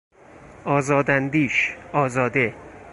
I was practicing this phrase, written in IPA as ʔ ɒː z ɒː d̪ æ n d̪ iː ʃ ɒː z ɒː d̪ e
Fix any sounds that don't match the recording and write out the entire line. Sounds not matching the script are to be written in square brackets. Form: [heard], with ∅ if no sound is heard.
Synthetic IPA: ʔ ɒː z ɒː d̪ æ n d̪ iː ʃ ɒː z ɒː d̪ e